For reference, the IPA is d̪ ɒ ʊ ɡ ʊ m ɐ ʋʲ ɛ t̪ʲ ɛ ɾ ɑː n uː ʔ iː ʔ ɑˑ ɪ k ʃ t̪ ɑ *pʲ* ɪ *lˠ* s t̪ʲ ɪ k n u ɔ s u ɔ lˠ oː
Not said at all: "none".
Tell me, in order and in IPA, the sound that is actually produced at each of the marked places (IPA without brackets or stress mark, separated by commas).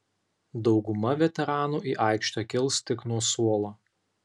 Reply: kʲ, lˠ